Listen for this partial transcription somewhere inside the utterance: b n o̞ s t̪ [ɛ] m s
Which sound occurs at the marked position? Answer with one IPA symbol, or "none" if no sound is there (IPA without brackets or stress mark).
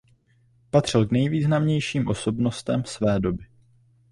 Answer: ɛ